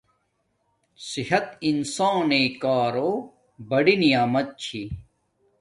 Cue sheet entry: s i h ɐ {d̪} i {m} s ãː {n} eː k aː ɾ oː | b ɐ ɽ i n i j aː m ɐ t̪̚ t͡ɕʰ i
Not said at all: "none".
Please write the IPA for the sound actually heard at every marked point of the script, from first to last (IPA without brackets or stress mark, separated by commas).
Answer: t̪, n, n